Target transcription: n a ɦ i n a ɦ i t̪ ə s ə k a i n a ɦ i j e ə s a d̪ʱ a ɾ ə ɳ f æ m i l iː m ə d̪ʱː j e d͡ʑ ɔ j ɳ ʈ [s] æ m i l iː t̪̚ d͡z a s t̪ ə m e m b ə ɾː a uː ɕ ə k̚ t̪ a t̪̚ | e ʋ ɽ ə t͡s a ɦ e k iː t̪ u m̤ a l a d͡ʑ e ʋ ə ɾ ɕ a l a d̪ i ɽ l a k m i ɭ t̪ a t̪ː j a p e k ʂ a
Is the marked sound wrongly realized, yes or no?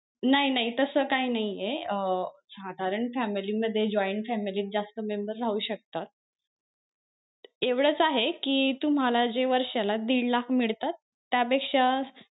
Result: yes